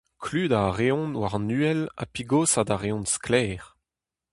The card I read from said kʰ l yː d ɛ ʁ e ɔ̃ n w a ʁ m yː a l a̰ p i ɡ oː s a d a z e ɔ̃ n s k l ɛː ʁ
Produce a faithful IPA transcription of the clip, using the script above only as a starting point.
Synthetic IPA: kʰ l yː d a ʁ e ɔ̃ n w a ʁ n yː ɛ l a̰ p i ɡ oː s a d a ʁ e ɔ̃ n s k l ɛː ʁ